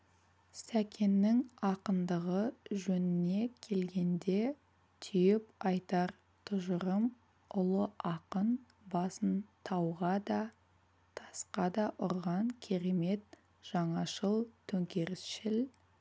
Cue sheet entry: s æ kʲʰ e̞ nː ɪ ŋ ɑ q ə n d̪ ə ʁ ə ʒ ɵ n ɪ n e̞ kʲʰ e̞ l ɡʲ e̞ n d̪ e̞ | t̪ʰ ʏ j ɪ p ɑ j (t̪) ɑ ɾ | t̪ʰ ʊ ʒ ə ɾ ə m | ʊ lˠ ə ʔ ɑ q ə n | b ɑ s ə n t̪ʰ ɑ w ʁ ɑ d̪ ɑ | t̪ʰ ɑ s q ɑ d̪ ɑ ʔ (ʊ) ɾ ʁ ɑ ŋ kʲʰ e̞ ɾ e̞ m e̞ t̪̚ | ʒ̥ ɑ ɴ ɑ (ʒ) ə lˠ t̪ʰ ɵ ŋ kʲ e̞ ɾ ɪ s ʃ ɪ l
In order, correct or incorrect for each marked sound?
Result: correct, correct, incorrect: ʃ

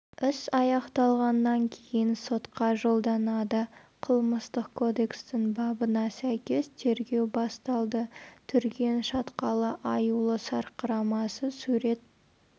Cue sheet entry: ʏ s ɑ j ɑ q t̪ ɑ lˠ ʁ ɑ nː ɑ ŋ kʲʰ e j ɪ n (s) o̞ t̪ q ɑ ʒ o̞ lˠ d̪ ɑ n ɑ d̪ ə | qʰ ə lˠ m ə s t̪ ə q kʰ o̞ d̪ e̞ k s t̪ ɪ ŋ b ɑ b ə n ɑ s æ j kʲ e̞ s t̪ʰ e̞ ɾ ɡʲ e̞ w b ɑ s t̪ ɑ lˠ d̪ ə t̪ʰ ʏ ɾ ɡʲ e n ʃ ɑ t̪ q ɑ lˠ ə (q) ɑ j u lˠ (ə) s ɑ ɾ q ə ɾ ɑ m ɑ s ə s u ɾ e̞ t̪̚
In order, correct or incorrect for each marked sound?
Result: correct, incorrect: ʔ, correct

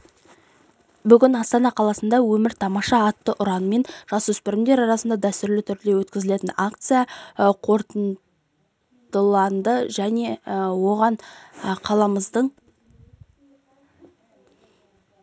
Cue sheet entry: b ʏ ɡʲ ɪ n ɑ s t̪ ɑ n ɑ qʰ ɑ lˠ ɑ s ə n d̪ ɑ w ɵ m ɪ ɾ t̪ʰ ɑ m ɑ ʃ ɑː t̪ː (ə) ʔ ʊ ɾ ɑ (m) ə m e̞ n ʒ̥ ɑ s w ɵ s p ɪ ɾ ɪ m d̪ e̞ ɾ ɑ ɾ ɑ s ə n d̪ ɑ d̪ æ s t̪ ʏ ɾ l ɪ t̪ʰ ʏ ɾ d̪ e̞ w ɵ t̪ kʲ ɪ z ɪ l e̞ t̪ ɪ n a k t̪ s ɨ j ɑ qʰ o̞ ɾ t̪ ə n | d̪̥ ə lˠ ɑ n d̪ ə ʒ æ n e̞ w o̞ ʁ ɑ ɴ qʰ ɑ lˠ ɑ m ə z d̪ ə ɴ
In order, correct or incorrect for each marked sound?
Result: correct, incorrect: n

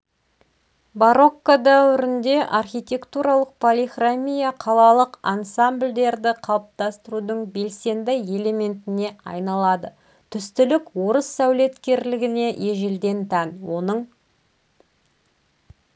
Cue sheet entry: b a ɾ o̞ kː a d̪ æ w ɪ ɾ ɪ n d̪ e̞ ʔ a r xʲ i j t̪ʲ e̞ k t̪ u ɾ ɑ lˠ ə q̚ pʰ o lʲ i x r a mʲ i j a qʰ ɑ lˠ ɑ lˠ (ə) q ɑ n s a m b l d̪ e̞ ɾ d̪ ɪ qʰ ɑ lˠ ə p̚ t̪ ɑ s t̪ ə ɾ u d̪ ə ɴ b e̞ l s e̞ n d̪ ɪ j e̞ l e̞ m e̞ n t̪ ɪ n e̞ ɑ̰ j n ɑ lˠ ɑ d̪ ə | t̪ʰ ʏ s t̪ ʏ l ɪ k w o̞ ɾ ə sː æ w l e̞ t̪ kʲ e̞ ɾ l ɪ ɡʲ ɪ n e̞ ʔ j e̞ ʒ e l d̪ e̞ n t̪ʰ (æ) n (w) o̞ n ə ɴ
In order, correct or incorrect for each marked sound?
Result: correct, correct, correct

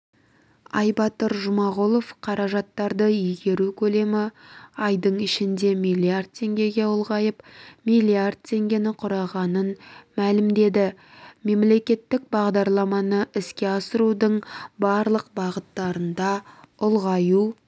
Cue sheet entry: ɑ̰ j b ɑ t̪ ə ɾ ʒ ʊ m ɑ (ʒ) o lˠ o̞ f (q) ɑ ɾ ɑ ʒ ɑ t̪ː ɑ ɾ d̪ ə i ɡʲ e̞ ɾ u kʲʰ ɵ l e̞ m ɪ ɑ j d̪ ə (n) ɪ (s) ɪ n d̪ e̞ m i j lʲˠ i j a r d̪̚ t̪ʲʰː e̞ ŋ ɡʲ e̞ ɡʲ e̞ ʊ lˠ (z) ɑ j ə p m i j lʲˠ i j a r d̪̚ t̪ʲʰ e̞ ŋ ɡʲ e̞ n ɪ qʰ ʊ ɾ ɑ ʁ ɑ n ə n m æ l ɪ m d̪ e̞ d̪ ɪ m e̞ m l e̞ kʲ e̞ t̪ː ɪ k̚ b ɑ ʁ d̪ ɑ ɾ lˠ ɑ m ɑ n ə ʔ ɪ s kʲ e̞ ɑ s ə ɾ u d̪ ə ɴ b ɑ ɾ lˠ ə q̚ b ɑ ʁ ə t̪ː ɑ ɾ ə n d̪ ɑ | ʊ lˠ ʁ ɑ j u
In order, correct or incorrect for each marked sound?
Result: incorrect: ʁ, incorrect: qʰ, incorrect: ɴ, incorrect: ʃ, incorrect: ʁ

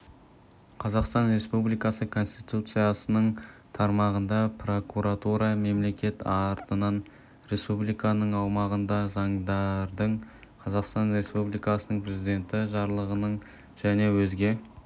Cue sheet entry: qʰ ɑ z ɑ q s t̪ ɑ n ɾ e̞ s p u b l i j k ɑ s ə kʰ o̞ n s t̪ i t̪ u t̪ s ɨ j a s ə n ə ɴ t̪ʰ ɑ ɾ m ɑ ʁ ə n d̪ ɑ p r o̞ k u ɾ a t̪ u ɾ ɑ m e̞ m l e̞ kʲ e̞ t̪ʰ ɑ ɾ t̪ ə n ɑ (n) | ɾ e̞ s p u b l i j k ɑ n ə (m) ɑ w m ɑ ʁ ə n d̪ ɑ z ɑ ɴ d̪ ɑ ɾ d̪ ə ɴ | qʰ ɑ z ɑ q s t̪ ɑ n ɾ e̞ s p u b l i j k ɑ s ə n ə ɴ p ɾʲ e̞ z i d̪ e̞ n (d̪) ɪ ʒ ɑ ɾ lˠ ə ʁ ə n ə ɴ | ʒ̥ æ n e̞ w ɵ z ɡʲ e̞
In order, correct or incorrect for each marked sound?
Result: correct, incorrect: ɴ, incorrect: t̪

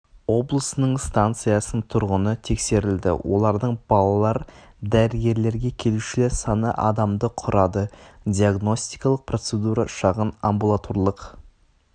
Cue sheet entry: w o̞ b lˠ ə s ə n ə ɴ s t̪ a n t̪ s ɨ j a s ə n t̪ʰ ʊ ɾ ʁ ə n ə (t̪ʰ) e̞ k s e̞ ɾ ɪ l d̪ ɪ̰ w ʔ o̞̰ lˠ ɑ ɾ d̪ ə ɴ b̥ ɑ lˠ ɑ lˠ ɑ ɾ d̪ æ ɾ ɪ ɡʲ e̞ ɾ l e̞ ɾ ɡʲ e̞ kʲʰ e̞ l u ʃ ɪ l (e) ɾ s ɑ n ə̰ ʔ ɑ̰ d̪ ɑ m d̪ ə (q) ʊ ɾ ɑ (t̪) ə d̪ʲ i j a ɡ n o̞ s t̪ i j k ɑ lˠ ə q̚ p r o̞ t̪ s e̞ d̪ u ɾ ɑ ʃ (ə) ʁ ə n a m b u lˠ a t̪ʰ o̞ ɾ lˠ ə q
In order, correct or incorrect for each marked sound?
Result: correct, correct, incorrect: qʰ, incorrect: d̪, incorrect: ɑ

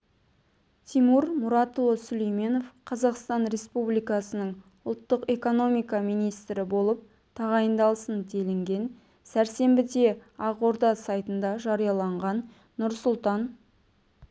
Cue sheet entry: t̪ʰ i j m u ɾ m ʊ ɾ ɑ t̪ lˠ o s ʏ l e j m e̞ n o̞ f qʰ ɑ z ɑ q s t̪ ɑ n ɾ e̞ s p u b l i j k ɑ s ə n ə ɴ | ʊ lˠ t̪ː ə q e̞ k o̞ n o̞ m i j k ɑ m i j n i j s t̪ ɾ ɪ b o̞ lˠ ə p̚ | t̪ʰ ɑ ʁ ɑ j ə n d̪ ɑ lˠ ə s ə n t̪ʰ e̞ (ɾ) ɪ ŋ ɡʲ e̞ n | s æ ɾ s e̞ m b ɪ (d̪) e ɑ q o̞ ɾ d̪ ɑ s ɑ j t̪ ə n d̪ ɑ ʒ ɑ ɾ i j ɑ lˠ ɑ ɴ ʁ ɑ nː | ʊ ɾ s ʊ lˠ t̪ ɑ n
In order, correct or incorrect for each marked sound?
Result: incorrect: l, correct

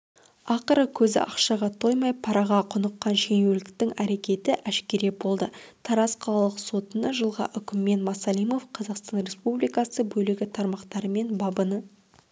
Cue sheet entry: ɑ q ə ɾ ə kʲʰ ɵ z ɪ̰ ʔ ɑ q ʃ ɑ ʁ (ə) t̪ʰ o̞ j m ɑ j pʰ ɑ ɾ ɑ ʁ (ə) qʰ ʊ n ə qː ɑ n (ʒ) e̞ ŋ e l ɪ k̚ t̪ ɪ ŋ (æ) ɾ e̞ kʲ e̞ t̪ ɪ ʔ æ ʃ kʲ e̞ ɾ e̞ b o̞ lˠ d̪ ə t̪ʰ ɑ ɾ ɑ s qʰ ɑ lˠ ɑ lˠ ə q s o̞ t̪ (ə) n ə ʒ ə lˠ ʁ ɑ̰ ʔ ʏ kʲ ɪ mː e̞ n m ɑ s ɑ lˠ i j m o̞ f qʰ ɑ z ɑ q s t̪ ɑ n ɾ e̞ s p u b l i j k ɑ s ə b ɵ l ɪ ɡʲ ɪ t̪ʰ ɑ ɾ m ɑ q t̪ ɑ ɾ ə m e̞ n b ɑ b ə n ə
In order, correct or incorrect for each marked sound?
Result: incorrect: ɑ, incorrect: ɑ, incorrect: ʃ, correct, correct

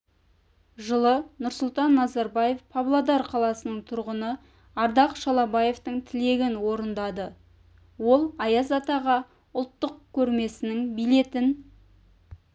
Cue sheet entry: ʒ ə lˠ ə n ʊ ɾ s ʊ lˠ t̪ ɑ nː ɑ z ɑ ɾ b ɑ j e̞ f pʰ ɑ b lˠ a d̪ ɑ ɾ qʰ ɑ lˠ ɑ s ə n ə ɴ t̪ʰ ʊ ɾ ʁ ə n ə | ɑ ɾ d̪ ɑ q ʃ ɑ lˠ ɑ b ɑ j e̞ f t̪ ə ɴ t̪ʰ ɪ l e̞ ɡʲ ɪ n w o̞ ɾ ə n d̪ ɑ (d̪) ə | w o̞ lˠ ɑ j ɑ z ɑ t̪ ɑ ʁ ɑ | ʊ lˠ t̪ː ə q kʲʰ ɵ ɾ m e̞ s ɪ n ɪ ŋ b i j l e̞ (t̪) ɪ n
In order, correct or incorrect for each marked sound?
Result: correct, correct

